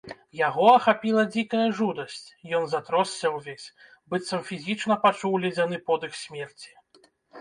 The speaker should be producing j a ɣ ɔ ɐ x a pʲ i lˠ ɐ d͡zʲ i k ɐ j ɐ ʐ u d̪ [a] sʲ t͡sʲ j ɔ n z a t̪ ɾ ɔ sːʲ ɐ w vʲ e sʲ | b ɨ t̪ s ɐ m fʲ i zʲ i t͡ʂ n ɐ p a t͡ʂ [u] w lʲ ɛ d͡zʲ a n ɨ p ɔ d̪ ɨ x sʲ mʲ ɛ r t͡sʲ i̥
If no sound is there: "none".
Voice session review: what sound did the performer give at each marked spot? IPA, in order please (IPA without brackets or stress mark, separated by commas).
ɐ, u